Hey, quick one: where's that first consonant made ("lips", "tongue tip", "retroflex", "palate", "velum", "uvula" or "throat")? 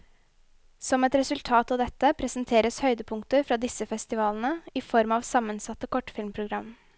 tongue tip